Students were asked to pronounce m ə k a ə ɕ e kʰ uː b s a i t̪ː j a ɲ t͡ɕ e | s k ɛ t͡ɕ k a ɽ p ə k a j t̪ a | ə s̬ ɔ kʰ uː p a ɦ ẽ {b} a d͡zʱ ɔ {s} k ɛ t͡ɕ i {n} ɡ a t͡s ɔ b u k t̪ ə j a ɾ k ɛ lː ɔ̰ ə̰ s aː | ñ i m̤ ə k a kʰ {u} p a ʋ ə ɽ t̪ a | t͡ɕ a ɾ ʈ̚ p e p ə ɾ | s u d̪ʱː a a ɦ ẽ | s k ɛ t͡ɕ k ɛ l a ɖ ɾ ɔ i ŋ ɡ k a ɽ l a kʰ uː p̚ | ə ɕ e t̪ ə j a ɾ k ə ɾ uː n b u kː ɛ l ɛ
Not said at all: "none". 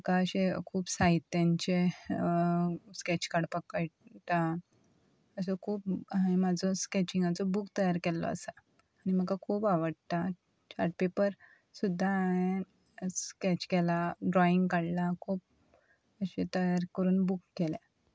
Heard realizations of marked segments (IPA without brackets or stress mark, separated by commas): m, s, ŋ, uː